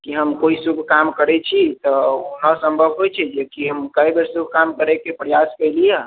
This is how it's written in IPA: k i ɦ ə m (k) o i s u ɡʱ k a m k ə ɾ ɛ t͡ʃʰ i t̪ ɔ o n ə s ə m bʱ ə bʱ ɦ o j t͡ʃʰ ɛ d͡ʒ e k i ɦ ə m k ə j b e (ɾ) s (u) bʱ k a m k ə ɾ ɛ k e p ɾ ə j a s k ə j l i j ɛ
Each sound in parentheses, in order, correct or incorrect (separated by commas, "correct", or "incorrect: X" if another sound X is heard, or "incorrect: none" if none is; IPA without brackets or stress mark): correct, correct, correct